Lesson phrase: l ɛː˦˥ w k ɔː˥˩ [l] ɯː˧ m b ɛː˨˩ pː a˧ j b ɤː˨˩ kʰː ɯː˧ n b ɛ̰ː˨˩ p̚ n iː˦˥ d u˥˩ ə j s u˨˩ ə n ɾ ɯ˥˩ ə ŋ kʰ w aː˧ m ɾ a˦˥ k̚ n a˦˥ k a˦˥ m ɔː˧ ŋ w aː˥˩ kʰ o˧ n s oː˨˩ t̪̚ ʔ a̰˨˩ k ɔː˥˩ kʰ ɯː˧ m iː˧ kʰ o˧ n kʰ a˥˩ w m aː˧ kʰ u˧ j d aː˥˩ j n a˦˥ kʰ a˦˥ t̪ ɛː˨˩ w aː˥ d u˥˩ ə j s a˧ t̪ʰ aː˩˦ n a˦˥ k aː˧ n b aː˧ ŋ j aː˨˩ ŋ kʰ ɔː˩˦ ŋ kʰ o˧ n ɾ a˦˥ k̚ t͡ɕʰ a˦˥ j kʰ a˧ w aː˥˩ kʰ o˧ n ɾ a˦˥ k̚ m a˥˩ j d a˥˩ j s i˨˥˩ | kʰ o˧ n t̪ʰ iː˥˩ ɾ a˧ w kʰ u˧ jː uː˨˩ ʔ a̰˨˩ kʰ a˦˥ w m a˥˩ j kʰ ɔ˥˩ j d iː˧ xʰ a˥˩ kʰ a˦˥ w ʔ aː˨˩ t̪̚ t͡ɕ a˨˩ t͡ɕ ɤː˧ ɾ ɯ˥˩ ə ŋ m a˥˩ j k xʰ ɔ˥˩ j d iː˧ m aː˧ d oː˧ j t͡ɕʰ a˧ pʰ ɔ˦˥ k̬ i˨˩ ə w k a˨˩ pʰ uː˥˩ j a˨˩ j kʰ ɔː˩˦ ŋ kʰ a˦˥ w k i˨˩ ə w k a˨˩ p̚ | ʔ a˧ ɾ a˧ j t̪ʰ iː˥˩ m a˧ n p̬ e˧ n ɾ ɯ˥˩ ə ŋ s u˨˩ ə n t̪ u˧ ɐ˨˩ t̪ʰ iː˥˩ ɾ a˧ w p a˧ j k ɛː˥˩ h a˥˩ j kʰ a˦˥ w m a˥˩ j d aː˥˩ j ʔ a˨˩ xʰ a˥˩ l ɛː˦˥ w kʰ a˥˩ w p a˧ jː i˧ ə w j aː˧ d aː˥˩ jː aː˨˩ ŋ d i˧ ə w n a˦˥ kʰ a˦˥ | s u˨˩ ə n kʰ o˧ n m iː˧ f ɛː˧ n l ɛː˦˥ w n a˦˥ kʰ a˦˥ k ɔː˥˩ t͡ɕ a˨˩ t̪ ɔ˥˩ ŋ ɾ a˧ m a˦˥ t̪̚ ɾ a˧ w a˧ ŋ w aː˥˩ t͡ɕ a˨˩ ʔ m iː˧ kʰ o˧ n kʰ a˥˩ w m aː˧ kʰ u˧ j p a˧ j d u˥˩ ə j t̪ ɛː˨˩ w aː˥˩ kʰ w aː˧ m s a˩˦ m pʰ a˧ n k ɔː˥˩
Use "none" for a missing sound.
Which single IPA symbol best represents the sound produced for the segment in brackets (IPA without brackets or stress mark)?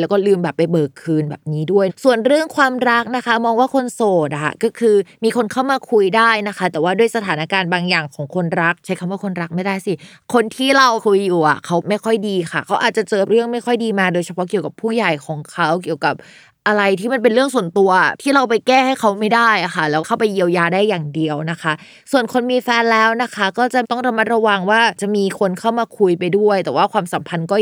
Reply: l